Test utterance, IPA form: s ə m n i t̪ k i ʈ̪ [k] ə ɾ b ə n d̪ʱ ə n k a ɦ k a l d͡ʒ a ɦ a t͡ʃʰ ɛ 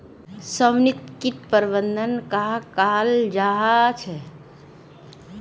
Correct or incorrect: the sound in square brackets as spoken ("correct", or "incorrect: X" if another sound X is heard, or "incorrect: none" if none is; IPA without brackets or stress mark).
incorrect: p